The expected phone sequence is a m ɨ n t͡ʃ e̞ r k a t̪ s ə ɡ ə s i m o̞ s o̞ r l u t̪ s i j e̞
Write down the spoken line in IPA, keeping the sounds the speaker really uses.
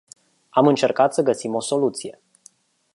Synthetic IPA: a m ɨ n t͡ʃ e̞ r k a t̪ s ə ɡ ə s i m o̞ s o̞ l u t̪ s i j e̞